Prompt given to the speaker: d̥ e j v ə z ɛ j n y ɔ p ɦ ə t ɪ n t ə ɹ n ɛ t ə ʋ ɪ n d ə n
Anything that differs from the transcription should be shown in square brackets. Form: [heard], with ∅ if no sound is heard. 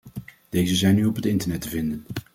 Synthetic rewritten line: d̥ e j [z] ə z ɛ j n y ɔ p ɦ ə t ɪ n t ə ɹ n ɛ t ə [v] ɪ n d ə n